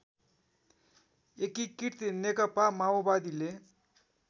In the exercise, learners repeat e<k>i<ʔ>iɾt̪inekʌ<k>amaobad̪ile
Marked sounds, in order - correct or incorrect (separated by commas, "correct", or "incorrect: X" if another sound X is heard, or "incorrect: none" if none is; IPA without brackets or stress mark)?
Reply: correct, incorrect: k, incorrect: p